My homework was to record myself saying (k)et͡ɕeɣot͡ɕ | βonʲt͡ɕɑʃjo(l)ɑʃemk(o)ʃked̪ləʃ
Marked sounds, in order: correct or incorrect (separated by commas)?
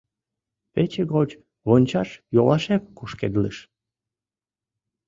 incorrect, correct, incorrect